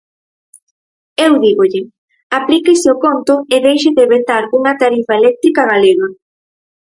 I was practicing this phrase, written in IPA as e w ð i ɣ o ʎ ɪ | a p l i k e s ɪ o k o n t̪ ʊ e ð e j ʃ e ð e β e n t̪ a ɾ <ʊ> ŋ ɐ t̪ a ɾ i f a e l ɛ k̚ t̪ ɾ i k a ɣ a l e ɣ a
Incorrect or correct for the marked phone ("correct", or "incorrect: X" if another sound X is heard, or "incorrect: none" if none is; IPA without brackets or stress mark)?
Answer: incorrect: u